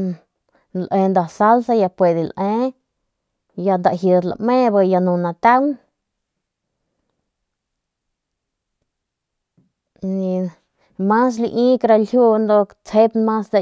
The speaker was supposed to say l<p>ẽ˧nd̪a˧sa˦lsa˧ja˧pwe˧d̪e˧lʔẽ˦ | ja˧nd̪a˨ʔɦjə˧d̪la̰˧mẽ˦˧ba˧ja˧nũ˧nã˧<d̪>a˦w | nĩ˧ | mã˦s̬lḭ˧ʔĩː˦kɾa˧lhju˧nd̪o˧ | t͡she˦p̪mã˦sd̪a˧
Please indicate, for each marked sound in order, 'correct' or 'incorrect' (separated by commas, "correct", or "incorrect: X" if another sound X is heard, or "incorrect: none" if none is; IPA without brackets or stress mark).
incorrect: ʔ, incorrect: t̪